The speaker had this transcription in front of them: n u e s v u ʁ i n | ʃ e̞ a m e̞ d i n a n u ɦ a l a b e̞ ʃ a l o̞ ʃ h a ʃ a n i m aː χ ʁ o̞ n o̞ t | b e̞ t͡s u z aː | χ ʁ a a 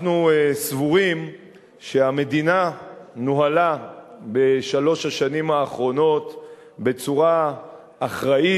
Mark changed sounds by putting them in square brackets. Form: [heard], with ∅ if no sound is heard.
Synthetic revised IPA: n u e s v u ʁ i [m] | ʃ e̞ a m e̞ d i n a n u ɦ a l a b e̞ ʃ a l o̞ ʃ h a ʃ a n i m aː χ ʁ o̞ n o̞ t | b e̞ t͡s u [ʁ] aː | χ ʁ a [i]

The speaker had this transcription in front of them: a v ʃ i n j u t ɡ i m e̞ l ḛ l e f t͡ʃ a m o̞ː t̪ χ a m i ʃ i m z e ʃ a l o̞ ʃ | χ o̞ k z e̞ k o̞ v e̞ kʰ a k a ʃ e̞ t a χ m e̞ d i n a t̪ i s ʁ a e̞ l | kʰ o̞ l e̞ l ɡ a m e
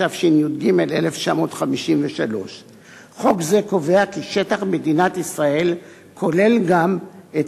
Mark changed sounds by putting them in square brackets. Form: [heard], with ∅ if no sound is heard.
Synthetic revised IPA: a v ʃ i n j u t ɡ i m e̞ l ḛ l e f t͡ʃ a m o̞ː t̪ χ a m i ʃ i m [v] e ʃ a l o̞ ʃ | χ o̞ k z e̞ k o̞ v e̞ [∅] a k [i] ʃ e̞ t a χ m e̞ d i n a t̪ i s ʁ a e̞ l | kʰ o̞ l e̞ l ɡ a m e

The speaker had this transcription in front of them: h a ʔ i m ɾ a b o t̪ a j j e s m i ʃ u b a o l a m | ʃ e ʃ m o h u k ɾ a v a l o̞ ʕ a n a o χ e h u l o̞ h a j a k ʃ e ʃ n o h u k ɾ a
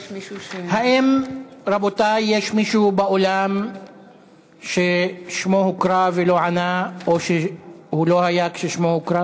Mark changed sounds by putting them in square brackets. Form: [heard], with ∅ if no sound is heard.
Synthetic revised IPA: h a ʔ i m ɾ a b o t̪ a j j e [ʃ] m i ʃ u b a o l a m | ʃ e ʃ m o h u k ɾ a v [e] l o̞ ʕ a n a o [ʃ] e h u l o̞ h a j a k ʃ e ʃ [m] o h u k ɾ a

